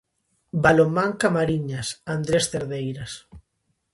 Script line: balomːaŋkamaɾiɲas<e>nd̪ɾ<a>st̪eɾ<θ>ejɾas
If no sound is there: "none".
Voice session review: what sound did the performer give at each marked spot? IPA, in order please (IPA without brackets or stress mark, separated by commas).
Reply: a, e, ð